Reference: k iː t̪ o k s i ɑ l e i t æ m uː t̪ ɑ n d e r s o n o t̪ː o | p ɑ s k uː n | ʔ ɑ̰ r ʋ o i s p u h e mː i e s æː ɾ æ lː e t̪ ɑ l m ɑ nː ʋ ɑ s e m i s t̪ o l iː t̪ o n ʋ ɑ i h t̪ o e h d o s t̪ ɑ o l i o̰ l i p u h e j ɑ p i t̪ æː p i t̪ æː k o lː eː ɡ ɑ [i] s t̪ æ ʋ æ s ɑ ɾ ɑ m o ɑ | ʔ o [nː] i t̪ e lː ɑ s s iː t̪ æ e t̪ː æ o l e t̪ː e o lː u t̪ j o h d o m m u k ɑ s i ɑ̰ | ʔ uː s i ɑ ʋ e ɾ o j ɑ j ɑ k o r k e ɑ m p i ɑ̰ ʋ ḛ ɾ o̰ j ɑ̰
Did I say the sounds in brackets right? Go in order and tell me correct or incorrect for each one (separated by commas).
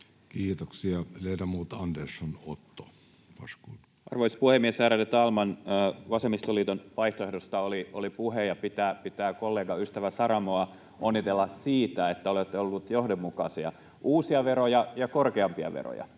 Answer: incorrect, correct